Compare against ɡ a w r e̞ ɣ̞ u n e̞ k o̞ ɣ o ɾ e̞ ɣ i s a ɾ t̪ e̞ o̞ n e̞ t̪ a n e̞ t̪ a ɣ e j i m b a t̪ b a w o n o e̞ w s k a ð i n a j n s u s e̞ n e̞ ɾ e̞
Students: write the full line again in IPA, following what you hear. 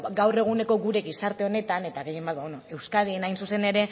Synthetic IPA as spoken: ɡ a w r e̞ ɣ̞ u n e̞ k o̞ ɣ u ɾ e̞ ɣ i s a ɾ t̪ e̞ o̞ n e̞ t̪ a n e̞ t̪ a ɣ e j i m b a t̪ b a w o n o e̞ w s k a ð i n a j n s u s e̞ n e̞ ɾ e̞